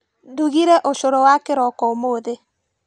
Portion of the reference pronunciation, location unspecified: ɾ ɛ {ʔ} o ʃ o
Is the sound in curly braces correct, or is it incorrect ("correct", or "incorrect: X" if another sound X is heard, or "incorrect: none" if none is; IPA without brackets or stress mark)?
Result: correct